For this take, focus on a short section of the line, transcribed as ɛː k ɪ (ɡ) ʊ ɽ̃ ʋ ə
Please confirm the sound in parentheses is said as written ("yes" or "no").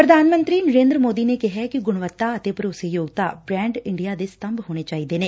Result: yes